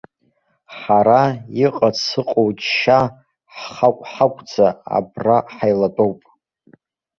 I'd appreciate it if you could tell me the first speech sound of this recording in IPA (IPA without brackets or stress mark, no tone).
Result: ħ